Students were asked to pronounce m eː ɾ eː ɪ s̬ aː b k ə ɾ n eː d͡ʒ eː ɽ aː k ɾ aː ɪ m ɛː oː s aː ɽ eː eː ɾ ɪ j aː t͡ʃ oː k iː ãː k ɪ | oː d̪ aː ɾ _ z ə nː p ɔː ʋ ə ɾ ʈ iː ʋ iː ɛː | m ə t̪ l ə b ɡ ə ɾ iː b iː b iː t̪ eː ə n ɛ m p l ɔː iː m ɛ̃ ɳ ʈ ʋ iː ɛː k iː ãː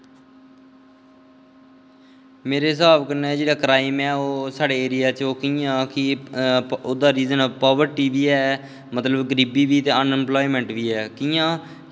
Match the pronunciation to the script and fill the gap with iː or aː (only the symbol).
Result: iː